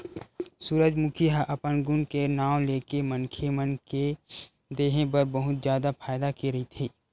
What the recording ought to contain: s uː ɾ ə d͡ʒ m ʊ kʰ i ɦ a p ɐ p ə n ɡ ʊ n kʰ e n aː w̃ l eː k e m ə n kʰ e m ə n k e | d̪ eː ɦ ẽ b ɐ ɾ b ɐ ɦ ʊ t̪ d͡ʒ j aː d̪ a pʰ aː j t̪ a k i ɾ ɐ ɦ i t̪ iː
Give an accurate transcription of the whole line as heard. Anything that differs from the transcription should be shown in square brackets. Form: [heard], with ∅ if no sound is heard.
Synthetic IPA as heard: s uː ɾ ə d͡ʒ m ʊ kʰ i ɦ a [ʔ] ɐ p ə n ɡ ʊ n [k] e n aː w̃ l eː k e m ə n kʰ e m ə n k e | d̪ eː ɦ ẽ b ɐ ɾ b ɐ ɦ ʊ t̪ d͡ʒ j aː d̪ a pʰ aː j [d̪] a k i ɾ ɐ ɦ i [t̪ʰ] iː